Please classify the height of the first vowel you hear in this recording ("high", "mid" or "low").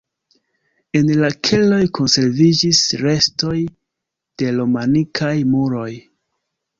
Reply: mid